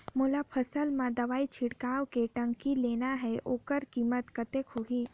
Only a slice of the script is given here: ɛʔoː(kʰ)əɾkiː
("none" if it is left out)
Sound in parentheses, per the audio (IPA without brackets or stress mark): k